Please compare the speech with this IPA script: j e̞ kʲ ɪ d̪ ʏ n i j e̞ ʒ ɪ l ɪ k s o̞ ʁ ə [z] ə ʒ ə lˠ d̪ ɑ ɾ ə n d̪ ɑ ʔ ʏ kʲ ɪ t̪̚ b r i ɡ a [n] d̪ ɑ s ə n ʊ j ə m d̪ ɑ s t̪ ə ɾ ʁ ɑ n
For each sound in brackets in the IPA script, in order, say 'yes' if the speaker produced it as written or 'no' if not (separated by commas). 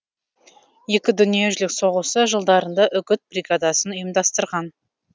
no, no